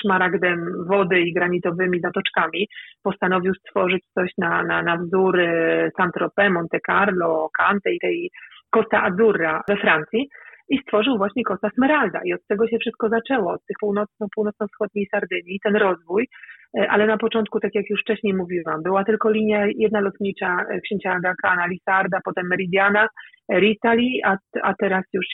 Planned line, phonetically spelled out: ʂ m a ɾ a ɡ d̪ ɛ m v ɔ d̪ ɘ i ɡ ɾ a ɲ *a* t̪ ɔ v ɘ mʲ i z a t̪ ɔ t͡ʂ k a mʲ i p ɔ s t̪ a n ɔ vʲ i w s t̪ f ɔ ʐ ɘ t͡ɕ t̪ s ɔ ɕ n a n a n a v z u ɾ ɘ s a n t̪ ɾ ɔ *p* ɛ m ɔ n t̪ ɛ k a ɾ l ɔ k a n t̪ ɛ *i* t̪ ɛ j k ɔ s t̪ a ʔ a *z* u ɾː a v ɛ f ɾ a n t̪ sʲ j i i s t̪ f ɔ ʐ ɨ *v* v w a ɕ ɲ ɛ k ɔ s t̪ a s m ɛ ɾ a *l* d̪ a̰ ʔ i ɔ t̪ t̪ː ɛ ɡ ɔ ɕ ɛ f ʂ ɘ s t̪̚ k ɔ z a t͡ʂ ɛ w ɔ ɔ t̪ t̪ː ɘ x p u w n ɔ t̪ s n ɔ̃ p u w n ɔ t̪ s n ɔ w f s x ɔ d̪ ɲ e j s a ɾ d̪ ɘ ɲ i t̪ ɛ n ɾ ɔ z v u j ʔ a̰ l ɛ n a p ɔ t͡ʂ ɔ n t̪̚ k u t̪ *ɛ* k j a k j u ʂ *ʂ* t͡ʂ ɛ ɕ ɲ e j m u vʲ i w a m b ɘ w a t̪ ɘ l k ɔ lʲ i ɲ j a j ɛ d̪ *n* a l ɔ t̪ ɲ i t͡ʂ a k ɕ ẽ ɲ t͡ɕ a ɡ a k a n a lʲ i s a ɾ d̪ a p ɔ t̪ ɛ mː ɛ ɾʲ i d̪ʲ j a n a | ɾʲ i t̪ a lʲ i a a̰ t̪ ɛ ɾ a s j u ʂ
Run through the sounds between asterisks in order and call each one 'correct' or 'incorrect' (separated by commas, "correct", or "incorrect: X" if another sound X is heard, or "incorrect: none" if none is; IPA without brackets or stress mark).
incorrect: i, correct, correct, correct, incorrect: w, correct, incorrect: a, incorrect: f, correct